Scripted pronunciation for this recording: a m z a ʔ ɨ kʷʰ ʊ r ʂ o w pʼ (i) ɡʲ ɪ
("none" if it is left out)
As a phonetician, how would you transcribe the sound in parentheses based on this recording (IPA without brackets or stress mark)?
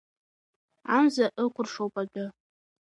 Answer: a